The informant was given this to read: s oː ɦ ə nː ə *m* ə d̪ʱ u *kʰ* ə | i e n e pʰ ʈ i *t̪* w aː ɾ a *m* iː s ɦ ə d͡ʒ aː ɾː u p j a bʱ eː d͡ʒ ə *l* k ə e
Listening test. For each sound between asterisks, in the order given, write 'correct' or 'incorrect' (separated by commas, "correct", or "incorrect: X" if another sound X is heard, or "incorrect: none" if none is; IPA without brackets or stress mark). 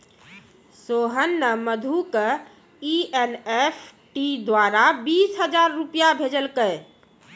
correct, incorrect: k, incorrect: d̪, incorrect: b, correct